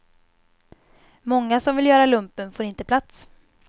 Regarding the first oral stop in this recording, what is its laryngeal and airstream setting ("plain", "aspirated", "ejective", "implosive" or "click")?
plain